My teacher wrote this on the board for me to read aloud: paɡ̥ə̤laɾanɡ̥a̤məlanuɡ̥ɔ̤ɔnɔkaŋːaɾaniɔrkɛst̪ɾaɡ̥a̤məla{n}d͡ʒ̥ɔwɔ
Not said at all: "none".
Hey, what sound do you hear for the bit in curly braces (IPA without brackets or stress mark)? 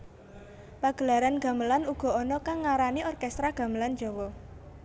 n